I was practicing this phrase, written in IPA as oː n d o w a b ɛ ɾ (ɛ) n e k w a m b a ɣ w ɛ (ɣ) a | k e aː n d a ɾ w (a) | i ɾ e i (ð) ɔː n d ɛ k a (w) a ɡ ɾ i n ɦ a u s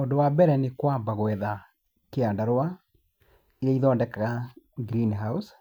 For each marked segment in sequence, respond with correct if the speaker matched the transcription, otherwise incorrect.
correct, incorrect: ð, correct, correct, incorrect: ɣ

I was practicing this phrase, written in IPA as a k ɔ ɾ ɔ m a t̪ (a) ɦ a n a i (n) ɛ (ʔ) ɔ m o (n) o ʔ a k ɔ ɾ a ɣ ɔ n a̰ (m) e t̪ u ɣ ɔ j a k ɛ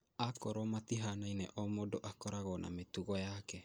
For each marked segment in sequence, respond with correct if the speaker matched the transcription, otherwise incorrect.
incorrect: i, correct, correct, incorrect: d, correct

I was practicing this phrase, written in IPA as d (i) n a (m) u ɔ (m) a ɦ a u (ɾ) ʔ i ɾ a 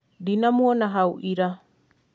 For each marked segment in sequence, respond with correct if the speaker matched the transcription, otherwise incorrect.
correct, correct, incorrect: n, incorrect: none

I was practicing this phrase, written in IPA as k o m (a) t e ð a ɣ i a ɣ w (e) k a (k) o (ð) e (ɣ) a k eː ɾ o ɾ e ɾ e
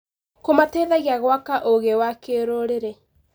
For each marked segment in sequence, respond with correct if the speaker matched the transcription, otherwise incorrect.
correct, incorrect: a, incorrect: ʔ, incorrect: ɣ, incorrect: w

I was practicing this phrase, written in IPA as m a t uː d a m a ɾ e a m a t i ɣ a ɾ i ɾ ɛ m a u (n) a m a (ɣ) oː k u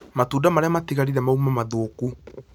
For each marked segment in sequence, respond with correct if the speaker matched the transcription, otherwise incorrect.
incorrect: m, incorrect: ð

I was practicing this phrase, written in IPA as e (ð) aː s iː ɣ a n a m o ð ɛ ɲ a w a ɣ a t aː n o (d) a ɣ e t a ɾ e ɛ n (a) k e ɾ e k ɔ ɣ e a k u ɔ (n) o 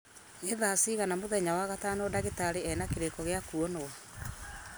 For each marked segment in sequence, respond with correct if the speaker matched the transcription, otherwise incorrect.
correct, correct, correct, correct

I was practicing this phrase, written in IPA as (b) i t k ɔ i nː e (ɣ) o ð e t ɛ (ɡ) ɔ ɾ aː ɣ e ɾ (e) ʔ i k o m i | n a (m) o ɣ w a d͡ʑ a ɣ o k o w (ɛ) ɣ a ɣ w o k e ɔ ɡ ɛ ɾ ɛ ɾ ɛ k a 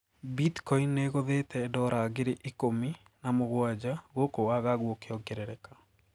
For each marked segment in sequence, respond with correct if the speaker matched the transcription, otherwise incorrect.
correct, correct, incorrect: d, correct, correct, incorrect: a

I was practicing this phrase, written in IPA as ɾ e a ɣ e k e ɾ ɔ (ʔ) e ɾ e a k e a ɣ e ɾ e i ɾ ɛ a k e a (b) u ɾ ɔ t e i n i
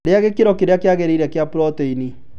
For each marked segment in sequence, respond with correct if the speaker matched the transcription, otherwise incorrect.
incorrect: k, incorrect: p

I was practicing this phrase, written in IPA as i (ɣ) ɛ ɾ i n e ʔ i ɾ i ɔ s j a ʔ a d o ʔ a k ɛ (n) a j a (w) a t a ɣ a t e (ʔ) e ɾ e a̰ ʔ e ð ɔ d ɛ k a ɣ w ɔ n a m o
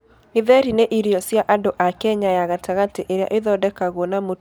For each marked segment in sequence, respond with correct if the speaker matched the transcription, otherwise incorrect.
incorrect: ð, incorrect: ɲ, incorrect: ɣ, correct

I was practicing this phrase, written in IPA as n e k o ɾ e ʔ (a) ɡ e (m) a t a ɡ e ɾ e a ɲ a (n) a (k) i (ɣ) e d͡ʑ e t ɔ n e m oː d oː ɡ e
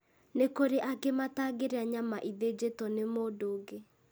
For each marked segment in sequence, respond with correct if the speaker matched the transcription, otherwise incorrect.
correct, correct, incorrect: m, incorrect: ʔ, incorrect: ð

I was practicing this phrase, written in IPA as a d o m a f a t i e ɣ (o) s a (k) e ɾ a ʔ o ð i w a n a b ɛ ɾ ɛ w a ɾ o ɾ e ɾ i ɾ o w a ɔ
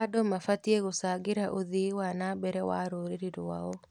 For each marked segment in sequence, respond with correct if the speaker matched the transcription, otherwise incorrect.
correct, incorrect: ɡ

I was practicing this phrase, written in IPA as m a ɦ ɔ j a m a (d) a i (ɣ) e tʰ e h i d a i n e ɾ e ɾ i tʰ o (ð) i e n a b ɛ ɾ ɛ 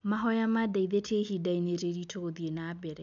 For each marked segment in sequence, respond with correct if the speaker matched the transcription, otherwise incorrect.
correct, incorrect: ð, correct

